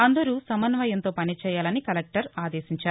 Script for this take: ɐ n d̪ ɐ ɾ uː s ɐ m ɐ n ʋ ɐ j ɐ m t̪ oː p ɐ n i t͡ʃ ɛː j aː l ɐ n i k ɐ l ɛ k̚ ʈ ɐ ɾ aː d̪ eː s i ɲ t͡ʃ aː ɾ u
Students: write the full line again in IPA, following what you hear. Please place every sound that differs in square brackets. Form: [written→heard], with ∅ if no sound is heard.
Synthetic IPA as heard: ɐ n d̪ ɐ ɾ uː s ɐ m ɐ n ʋ ɐ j ɐ [m→n] t̪ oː p ɐ n i t͡ʃ ɛː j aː l ɐ n i k ɐ l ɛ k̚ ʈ ɐ ɾ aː d̪ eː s i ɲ t͡ʃ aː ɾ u

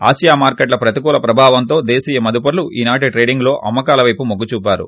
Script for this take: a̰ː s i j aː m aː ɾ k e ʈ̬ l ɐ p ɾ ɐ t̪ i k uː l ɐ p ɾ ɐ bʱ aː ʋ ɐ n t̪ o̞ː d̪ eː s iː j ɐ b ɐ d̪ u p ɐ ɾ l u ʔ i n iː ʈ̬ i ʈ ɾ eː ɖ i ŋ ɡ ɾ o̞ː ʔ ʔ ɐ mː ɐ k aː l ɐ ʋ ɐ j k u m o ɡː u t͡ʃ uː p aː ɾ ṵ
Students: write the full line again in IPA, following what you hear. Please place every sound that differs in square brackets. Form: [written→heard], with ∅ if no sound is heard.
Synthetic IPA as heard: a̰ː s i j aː m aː ɾ k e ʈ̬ l ɐ p ɾ ɐ t̪ i k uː l ɐ p ɾ ɐ bʱ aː ʋ ɐ n t̪ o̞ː d̪ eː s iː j ɐ [b→m] ɐ d̪ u p ɐ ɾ l u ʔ [i→iː] n [iː→aː] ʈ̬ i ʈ ɾ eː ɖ i ŋ ɡ [ɾ→l] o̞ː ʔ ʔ ɐ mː ɐ k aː l ɐ ʋ ɐ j [k→p] u m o ɡː u t͡ʃ uː p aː ɾ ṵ

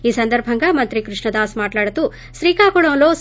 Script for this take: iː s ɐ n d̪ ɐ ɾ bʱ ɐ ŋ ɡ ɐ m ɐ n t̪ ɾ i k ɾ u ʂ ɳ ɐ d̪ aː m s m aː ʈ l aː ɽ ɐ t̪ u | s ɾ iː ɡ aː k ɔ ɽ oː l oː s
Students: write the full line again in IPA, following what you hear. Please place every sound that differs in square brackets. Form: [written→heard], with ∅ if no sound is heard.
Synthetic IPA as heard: iː s ɐ n d̪ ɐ ɾ bʱ ɐ ŋ ɡ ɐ m ɐ n t̪ ɾ i k ɾ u ʂ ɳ ɐ d̪ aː [m→∅] s m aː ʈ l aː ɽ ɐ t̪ u | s ɾ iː [ɡ→k] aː k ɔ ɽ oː l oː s

